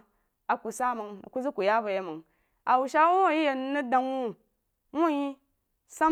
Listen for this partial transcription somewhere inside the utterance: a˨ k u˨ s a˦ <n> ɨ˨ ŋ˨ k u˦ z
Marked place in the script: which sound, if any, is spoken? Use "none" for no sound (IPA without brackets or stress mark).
m